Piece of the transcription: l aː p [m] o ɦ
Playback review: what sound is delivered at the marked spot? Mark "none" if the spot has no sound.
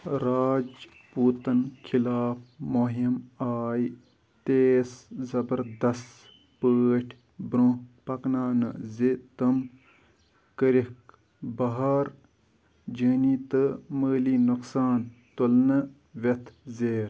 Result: m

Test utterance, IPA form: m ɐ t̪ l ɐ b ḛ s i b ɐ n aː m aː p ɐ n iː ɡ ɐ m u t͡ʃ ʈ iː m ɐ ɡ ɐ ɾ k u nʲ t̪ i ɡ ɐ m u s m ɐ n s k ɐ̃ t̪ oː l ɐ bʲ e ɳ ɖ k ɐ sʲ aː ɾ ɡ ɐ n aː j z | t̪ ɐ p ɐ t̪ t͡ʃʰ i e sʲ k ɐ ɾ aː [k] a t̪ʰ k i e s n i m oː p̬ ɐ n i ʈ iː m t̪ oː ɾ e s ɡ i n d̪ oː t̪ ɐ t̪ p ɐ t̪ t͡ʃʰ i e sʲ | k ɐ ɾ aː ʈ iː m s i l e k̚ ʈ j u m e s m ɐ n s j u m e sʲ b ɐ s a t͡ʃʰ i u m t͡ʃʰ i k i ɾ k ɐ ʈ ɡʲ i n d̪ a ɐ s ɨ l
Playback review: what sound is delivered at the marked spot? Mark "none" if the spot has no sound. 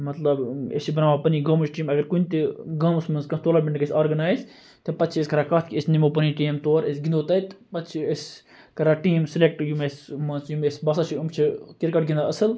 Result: k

